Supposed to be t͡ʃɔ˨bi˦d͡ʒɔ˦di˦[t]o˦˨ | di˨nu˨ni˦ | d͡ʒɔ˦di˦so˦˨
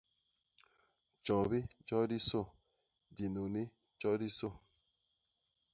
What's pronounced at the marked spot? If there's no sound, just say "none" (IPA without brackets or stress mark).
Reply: s